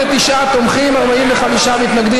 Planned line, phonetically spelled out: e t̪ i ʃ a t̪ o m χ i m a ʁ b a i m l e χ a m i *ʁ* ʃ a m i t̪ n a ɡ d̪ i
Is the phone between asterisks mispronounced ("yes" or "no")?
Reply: yes